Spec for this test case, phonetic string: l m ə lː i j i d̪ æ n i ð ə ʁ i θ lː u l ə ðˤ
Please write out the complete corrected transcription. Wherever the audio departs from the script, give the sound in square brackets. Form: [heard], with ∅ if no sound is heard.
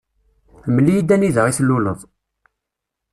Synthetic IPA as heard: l m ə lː i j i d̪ æ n i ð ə ʁ i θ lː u l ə ðˤ